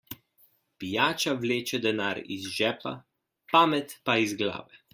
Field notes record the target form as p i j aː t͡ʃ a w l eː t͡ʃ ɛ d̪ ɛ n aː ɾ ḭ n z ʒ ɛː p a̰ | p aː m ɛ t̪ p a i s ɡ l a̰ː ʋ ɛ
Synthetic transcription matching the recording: p i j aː t͡ʃ a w l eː t͡ʃ ɛ d̪ ɛ n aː ɾ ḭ z ʒ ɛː p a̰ | p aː m ɛ t̪ p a i z ɡ l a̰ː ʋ ɛ